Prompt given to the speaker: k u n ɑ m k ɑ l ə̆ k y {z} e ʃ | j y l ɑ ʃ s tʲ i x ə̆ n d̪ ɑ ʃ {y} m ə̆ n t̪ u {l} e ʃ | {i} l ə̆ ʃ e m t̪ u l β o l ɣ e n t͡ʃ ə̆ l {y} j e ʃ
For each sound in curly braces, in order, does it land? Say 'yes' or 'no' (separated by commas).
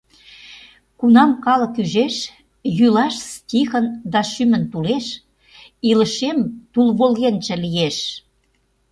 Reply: no, yes, yes, yes, no